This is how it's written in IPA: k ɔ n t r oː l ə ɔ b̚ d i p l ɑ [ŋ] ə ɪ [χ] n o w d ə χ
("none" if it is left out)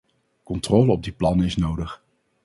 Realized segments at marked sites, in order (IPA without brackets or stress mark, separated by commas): n, s